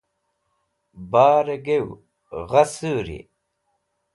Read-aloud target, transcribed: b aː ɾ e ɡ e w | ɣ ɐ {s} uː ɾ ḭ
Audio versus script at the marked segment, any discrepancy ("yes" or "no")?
no